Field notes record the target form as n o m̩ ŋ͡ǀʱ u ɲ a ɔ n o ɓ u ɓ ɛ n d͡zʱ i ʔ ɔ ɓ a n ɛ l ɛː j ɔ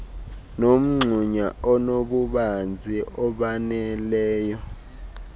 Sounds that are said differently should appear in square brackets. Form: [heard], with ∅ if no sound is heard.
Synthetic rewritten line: n o m̩ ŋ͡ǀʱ u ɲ a ɔ n o ɓ u ɓ [a] n d͡zʱ i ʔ ɔ ɓ a n ɛ l ɛː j ɔ